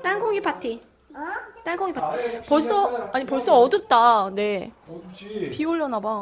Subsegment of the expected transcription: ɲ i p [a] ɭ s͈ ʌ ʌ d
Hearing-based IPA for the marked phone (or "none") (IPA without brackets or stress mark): ʌ